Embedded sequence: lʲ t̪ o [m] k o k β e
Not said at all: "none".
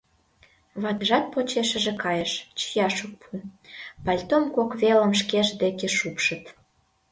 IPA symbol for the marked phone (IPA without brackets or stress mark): m